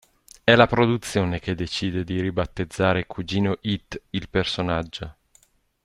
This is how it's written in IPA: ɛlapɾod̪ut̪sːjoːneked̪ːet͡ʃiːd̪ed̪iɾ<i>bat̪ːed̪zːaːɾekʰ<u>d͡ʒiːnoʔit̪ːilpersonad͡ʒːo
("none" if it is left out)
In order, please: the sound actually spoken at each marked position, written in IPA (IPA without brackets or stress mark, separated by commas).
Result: i, u